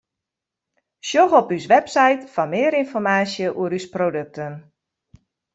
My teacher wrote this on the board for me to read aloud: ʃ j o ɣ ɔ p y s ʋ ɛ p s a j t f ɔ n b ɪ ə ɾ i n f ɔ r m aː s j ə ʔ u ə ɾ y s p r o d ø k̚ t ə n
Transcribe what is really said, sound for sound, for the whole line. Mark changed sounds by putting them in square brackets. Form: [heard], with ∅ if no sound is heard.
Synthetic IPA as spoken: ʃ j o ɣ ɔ p y s ʋ ɛ p s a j t f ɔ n [m] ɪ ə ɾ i n f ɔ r m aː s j ə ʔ u ə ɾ y s p r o d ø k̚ t ə n